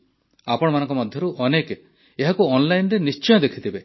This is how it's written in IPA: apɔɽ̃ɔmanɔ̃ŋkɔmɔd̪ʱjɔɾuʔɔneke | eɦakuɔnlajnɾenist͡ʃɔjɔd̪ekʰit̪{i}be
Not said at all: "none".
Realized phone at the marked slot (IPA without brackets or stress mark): i